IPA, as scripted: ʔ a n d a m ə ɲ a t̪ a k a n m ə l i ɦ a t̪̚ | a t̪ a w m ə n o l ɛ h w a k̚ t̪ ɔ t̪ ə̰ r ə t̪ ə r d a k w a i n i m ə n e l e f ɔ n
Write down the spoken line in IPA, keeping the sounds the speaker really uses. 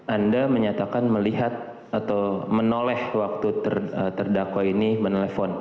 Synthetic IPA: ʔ a n d a m ə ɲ a t̪ a k a n m ə l i ɦ a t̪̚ | a t̪ a w m ə n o l ɛ h w a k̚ t̪ u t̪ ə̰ r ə t̪ ə r d a k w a i n i m ə n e l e f ɔ n